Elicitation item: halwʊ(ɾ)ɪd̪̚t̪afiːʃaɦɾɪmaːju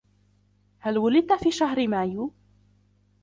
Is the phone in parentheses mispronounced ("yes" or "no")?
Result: yes